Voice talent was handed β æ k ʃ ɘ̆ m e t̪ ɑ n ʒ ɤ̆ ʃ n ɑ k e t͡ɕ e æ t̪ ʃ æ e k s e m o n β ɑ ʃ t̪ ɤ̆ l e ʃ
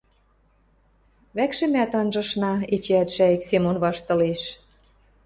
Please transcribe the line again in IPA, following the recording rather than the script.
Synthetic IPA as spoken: β æ k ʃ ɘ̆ m æ t̪ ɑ n ʒ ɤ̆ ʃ n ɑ e t͡ɕ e æ t̪ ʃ æ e k s e m o n β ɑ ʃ t̪ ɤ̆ l e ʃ